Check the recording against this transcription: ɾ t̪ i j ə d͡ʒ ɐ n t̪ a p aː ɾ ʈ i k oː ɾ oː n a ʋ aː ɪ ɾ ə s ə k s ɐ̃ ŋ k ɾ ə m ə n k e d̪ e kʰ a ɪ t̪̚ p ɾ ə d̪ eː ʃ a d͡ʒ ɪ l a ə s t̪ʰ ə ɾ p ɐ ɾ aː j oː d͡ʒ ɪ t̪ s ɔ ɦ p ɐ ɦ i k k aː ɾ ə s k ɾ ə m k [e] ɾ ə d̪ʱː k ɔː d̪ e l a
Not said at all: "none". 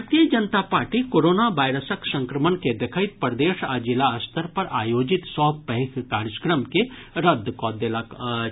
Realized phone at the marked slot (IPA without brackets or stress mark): e